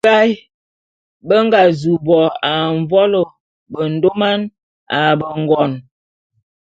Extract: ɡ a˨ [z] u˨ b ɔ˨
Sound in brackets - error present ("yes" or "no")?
no